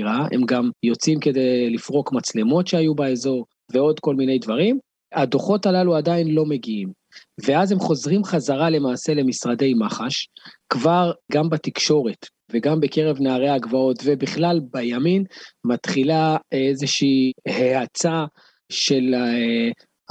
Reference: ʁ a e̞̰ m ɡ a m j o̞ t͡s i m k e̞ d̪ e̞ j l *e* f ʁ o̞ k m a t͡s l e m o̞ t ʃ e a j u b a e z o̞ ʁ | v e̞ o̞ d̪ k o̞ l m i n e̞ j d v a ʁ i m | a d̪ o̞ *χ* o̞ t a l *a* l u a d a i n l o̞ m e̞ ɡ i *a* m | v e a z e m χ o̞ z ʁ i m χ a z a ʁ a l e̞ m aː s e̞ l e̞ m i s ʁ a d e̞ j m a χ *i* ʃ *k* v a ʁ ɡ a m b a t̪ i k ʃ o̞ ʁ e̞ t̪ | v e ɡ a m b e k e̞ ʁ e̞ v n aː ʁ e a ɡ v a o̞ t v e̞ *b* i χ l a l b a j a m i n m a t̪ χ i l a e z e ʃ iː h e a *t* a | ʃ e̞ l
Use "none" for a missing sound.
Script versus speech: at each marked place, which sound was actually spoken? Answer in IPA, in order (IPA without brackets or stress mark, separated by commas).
i, χ, a, i, a, k, b, t͡s